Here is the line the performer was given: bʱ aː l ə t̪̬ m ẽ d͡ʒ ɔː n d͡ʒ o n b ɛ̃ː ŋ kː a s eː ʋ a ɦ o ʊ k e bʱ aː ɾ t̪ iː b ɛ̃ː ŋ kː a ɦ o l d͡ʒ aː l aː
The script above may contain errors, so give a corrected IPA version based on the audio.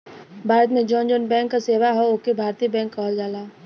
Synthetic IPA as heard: bʱ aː ɾ ə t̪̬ m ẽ d͡ʒ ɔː n d͡ʒ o n b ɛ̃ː ŋ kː a s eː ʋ a ɦ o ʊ k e bʱ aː ɾ t̪ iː b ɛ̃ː ŋ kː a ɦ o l d͡ʒ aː l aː